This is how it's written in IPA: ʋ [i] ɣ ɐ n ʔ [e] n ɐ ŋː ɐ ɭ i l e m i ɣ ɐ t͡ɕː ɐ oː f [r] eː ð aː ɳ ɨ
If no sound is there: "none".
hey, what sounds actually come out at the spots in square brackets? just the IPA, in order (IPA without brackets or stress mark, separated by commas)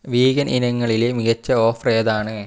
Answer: iː, i, r